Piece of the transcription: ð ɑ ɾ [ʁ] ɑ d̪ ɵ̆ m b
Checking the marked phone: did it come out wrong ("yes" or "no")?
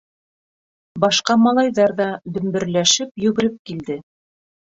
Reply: yes